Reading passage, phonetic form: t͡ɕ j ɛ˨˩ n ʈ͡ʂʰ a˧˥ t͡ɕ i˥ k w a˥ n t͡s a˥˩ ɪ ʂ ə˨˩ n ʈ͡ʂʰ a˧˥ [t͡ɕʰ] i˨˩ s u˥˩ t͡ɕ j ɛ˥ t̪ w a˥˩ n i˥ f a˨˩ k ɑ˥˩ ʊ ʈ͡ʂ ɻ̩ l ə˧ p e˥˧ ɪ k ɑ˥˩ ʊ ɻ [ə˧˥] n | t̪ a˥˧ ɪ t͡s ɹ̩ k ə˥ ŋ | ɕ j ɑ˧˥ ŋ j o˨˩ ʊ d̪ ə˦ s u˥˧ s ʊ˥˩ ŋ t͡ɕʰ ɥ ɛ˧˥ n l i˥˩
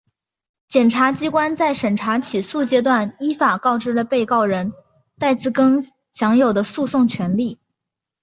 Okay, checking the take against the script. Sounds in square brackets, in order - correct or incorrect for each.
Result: correct, correct

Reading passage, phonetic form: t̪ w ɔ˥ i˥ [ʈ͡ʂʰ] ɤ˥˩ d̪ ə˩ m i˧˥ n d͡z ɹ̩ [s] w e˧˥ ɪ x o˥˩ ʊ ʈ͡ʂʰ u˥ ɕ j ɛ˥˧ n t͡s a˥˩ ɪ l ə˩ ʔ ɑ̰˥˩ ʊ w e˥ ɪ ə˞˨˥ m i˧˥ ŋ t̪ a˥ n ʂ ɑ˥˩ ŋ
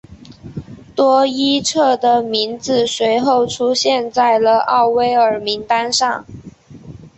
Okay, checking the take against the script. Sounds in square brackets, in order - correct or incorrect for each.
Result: correct, correct

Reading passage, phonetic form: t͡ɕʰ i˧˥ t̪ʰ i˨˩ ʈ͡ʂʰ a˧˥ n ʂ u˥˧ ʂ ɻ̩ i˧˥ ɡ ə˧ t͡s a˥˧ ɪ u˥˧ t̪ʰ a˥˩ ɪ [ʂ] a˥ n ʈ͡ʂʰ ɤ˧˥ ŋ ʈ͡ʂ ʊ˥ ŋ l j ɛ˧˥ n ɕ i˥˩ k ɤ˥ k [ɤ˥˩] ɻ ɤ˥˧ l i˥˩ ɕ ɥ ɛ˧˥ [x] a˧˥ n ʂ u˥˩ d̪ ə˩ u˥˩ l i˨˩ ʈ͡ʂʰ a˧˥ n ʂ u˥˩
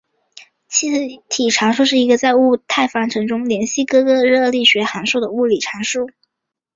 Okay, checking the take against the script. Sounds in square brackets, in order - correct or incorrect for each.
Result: incorrect, incorrect, correct

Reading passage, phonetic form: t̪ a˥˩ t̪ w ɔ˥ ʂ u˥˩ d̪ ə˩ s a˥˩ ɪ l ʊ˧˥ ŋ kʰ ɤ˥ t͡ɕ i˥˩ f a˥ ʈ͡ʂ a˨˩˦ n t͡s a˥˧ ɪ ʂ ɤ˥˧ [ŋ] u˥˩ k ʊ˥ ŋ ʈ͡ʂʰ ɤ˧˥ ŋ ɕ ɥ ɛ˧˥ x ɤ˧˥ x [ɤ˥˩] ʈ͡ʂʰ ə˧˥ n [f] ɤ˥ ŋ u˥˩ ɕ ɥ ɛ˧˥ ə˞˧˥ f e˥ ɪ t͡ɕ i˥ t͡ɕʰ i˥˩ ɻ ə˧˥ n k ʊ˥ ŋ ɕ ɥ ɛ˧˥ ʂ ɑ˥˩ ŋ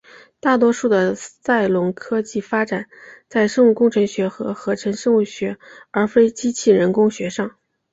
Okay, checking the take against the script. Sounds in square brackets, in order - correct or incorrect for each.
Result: correct, incorrect, incorrect

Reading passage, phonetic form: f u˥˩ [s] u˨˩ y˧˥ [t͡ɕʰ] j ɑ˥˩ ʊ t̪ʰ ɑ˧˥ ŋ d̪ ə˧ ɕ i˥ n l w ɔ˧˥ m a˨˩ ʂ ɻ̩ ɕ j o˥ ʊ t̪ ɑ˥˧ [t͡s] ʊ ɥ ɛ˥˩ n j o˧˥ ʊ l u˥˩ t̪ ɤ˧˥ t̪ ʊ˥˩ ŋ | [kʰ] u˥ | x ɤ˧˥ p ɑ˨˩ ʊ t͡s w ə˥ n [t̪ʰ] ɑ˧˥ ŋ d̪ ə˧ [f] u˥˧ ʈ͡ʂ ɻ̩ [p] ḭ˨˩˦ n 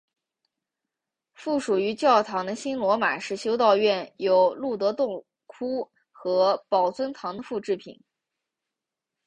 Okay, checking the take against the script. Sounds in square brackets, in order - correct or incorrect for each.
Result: incorrect, incorrect, incorrect, correct, correct, correct, incorrect

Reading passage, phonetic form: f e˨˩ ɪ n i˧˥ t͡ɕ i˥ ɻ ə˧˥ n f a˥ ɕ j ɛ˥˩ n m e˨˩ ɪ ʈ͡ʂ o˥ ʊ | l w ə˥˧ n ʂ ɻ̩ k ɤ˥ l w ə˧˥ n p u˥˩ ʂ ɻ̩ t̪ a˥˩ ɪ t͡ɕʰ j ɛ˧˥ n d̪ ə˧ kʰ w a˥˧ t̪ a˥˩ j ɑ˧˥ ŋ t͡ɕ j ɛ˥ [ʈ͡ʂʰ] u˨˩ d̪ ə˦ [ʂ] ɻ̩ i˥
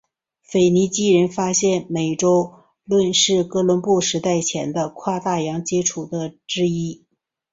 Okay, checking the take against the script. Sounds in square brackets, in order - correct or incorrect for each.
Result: correct, incorrect

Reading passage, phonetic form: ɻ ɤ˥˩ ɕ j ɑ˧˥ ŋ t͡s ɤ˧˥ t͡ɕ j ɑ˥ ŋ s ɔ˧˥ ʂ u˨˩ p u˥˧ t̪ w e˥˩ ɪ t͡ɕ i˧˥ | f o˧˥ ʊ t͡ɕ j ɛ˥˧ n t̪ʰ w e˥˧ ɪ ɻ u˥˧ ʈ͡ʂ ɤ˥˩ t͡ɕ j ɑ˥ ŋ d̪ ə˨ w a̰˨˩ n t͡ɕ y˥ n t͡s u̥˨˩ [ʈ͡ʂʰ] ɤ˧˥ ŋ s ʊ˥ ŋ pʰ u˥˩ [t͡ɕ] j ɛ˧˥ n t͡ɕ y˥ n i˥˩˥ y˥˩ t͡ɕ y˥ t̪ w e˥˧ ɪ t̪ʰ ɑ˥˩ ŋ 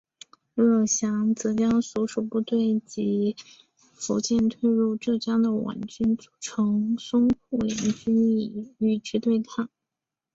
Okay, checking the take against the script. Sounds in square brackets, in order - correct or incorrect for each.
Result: correct, incorrect

